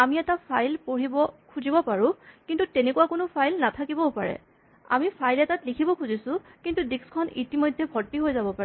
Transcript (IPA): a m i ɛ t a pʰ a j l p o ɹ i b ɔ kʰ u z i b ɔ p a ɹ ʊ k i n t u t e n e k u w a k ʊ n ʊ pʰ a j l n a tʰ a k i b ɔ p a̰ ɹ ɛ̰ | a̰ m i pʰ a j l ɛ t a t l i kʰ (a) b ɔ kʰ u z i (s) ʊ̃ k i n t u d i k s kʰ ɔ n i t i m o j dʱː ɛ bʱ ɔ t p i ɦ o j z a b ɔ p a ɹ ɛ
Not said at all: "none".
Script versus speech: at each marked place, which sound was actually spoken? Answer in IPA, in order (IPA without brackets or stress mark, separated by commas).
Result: i, s